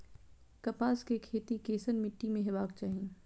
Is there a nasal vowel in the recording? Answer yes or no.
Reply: yes